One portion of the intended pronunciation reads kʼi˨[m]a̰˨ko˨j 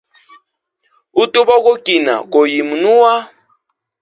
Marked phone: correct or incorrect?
incorrect